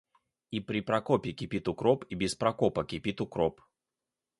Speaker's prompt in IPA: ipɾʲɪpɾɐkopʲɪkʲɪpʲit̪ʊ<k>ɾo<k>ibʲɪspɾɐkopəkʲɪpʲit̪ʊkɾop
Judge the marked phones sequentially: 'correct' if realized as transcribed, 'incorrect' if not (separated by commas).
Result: correct, incorrect